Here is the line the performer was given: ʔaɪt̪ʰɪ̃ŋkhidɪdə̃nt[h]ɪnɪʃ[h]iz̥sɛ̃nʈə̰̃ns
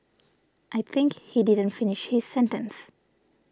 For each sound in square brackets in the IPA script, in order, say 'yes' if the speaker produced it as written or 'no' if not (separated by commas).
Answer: no, yes